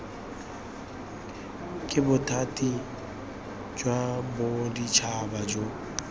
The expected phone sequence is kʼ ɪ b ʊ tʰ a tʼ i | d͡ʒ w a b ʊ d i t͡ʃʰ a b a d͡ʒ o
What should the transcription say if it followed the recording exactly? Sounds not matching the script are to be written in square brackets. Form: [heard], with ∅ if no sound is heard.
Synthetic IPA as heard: kʼ ɪ b ʊ tʰ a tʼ i | d͡ʒ w a b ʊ d i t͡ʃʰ a b a d͡ʒ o